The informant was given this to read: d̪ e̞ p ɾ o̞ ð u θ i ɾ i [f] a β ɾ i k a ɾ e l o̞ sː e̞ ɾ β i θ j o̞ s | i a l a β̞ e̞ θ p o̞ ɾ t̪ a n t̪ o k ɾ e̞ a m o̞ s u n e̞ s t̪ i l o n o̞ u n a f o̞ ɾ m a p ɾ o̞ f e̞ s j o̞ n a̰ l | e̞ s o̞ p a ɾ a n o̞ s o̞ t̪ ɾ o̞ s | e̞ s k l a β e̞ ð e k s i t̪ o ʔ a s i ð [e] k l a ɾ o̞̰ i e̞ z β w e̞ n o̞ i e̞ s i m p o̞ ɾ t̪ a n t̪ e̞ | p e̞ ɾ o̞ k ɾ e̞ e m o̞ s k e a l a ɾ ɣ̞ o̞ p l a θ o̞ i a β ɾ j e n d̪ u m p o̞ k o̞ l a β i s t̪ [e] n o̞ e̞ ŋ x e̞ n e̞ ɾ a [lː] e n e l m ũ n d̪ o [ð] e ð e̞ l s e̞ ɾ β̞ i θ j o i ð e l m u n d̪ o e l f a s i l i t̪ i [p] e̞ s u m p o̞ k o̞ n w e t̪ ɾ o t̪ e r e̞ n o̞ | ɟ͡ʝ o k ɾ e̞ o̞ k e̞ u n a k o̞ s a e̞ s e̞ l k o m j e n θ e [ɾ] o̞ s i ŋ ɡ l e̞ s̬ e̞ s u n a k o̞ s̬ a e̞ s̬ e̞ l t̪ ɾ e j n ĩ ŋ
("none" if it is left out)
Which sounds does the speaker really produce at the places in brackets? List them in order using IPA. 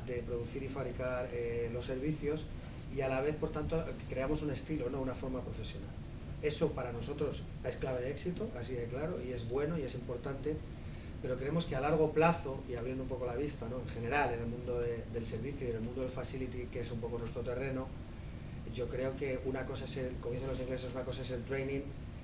f, e, a, l, ð, k, l

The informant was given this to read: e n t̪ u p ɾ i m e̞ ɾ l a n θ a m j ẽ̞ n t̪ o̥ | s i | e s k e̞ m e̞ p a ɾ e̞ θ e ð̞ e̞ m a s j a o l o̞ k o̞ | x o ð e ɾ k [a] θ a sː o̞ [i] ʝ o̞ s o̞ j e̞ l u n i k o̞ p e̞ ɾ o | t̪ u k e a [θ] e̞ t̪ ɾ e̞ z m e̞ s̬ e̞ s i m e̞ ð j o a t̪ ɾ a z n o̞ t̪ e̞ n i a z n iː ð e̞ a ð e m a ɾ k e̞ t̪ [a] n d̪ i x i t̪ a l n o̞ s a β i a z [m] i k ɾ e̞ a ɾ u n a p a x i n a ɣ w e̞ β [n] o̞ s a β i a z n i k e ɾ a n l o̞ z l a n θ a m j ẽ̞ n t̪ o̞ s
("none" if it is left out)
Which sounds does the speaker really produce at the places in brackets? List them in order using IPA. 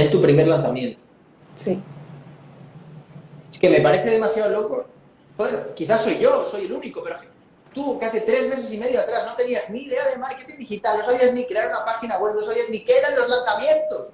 i, j, θ, i, n, n

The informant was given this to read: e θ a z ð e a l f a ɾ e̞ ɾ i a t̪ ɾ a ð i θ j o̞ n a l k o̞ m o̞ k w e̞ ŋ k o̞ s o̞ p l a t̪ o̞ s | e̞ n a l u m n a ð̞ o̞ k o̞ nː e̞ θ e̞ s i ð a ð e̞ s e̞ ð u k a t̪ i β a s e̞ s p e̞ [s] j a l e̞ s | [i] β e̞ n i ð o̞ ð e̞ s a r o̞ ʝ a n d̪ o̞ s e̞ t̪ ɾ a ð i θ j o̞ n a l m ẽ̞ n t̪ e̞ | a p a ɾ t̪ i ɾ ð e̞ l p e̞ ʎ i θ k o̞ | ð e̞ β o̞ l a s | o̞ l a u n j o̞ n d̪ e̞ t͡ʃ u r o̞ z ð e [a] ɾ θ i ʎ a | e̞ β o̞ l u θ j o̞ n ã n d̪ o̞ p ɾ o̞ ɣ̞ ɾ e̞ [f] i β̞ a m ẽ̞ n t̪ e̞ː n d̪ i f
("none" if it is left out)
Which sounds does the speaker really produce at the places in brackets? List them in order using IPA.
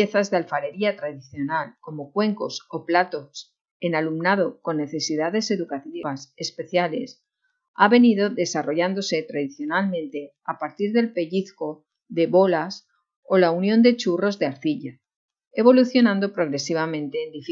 θ, a, a, s

